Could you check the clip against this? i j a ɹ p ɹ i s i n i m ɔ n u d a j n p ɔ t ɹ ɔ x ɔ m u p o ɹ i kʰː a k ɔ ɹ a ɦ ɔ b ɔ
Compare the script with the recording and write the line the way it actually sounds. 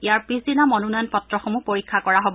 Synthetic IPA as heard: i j a ɹ p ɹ i s i n a m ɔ n u n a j n p ɔ t ɹ ɔ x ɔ m u p o ɹ i kʰː a k ɔ ɹ a ɦ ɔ b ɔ

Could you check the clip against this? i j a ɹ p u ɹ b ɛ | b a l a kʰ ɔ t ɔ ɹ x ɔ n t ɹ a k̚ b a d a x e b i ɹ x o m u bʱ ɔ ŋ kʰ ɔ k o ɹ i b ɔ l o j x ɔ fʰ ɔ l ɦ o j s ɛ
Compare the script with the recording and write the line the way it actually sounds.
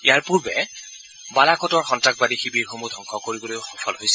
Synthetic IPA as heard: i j a ɹ p u ɹ b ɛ | b a l a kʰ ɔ t ɔ ɹ x ɔ n t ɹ a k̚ b a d i x i b i ɹ x o m u dʱ ɔ ŋ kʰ ɔ k o ɹ i b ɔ l o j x ɔ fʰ ɔ l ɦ o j s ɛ

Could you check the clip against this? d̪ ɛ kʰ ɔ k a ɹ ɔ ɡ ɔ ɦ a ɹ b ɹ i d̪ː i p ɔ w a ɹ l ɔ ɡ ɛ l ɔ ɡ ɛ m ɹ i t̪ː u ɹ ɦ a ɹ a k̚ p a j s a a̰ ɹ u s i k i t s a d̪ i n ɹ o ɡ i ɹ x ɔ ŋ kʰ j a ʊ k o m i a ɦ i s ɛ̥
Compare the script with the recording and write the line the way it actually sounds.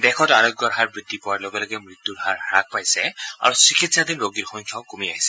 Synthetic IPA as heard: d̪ ɛ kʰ ɔ t a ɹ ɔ ɡ ɔ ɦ a ɹ b ɹ i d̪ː i p ɔ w a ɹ l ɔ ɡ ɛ l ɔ ɡ ɛ m ɹ i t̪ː u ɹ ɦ a ɹ a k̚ p a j s ɛ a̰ ɹ u s i k i t s a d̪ i n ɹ o ɡ i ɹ x ɔ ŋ kʰ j a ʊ k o m i a ɦ i s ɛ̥

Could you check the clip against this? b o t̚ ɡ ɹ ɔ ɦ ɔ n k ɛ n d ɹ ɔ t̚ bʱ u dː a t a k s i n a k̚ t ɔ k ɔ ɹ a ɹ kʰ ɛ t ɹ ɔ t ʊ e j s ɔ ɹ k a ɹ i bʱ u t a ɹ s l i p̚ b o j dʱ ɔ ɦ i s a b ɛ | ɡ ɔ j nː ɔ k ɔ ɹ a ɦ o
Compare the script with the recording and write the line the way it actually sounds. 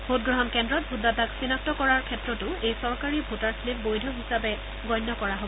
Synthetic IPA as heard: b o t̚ ɡ ɹ ɔ ɦ ɔ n k ɛ n d ɹ ɔ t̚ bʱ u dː a t a k s i n a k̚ t ɔ k ɔ ɹ a ɹ kʰ ɛ t ɹ ɔ t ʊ e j s ɔ ɹ k a ɹ i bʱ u t a ɹ s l i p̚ b o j dʱ ɔ ɦ i s a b ɛ | ɡ ɔ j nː ɔ k ɔ ɹ a ɦ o

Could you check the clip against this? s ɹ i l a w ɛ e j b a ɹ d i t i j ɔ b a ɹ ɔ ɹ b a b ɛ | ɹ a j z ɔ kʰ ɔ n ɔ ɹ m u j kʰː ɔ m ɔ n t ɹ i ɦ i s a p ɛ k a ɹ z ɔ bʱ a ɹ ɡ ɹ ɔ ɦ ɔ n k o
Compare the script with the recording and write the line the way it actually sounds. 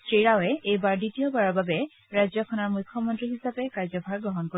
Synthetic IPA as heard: s ɹ i ɹ a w ɛ e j b a ɹ d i t i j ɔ b a ɹ ɔ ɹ b a b ɛ | ɹ a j z ɔ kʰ ɔ n ɔ ɹ m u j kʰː ɔ m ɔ n t ɹ i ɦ i s a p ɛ k a ɹ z ɔ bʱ a ɹ ɡ ɹ ɔ ɦ ɔ n k o

